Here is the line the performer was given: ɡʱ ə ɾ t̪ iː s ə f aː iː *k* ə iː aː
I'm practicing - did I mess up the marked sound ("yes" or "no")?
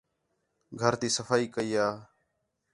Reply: no